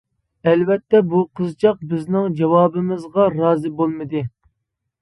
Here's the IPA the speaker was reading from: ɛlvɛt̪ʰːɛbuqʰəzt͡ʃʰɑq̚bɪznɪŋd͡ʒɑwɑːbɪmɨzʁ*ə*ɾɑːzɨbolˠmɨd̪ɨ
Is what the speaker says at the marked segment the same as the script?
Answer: no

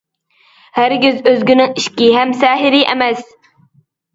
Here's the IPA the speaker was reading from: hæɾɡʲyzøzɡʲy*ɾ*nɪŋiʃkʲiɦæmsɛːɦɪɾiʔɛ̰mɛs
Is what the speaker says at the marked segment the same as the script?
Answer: no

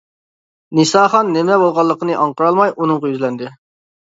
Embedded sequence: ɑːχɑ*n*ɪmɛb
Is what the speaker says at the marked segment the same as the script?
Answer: no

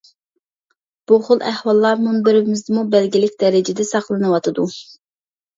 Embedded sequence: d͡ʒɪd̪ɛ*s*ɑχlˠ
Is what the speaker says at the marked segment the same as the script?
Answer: yes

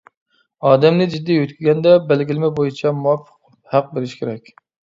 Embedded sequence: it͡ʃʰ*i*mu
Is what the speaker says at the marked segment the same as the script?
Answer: no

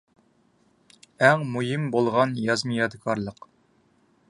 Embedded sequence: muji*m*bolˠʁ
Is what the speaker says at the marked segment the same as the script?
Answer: yes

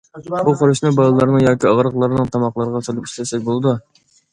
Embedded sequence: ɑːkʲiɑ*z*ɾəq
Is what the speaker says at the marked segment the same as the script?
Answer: no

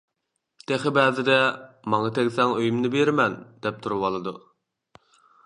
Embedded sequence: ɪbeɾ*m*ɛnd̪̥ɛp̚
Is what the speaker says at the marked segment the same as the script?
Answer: yes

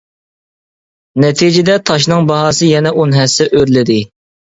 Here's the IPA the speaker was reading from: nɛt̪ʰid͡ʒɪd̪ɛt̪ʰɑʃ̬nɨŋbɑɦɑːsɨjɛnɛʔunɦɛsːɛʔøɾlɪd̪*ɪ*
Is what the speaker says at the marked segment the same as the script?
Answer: yes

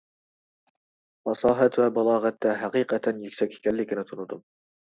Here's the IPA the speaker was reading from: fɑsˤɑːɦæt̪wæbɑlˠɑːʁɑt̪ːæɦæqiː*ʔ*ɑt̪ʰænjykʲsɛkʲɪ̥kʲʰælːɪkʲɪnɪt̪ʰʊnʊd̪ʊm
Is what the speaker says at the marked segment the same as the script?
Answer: no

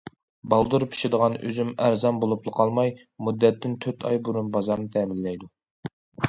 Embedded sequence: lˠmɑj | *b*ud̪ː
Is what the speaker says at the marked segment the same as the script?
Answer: no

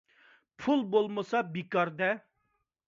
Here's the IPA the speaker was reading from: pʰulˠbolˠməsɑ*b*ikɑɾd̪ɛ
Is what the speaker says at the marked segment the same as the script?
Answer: yes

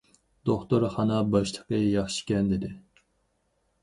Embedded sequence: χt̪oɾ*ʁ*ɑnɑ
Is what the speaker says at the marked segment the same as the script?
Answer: no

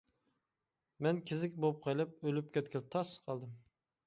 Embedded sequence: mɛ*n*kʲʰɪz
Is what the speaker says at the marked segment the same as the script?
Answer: yes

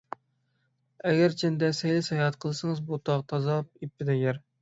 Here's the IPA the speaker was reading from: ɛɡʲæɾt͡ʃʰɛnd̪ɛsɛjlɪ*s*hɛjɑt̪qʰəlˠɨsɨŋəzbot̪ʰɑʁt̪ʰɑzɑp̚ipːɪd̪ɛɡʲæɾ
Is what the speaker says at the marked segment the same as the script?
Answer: yes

